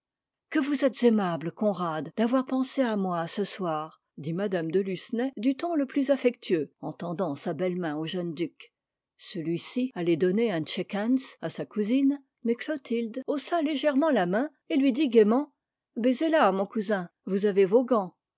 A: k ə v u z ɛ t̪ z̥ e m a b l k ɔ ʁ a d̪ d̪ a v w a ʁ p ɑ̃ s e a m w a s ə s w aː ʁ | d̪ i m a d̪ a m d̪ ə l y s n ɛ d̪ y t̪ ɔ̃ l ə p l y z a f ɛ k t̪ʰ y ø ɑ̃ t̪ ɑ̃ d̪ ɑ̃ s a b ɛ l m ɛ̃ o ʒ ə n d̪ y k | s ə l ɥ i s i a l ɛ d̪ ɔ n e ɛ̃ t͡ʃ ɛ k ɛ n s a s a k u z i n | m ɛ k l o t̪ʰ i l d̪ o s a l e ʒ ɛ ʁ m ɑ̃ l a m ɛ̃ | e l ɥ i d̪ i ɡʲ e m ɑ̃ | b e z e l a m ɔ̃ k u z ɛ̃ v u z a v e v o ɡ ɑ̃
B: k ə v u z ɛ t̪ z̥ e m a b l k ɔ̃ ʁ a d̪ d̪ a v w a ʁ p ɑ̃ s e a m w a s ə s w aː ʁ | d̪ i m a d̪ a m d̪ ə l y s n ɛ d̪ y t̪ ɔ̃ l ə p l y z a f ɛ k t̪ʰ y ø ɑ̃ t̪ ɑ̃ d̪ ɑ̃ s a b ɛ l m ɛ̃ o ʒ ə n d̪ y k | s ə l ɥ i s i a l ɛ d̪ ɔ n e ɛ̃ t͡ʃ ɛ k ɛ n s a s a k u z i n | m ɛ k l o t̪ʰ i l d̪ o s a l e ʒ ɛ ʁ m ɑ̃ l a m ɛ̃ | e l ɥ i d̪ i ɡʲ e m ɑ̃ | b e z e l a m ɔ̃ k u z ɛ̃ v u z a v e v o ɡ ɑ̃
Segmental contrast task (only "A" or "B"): B